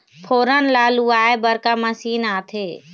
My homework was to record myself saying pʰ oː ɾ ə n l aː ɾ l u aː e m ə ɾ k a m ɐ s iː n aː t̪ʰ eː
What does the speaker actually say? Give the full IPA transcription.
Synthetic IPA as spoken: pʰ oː ɾ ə n l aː l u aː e b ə ɾ k a m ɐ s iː n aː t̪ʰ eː